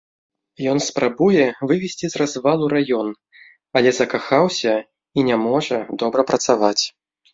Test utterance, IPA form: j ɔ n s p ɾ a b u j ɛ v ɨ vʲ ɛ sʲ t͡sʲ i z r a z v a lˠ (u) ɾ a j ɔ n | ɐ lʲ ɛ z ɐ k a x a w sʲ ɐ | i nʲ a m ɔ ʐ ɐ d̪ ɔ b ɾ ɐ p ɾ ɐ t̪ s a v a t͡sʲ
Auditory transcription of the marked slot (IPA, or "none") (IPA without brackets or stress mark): u